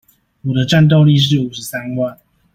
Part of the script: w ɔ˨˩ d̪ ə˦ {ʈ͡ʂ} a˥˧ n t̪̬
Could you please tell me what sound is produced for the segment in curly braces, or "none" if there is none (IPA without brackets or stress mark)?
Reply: ʈ͡ʂ